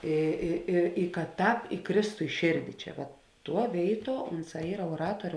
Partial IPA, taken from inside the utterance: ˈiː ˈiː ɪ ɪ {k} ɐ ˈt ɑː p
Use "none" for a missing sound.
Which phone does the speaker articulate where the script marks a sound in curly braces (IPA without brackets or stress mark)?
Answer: k